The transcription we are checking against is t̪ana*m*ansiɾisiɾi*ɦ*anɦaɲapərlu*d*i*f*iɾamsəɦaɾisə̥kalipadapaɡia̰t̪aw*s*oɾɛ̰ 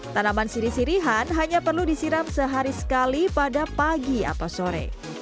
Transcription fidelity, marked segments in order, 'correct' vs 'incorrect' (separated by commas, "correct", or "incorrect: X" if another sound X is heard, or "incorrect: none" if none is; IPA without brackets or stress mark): correct, correct, correct, incorrect: s, correct